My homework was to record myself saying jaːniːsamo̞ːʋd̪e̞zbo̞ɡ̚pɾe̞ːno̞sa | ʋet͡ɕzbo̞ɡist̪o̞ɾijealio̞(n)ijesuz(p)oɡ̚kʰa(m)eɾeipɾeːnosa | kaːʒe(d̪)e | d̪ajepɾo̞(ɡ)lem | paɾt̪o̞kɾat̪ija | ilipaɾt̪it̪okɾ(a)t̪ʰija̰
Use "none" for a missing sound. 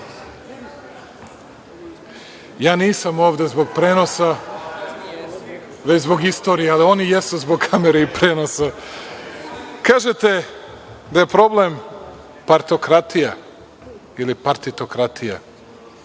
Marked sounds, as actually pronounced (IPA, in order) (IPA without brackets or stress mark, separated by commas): n, b, m, t̪, b, a